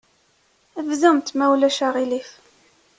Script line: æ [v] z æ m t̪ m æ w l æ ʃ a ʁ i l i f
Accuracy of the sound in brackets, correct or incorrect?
correct